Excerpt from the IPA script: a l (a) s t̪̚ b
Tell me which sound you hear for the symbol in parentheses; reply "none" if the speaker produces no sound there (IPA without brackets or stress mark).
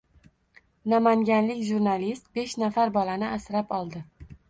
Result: i